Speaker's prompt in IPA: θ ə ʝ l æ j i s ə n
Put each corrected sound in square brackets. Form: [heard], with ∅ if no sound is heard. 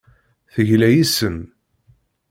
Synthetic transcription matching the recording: θ ə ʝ l æ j i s ə n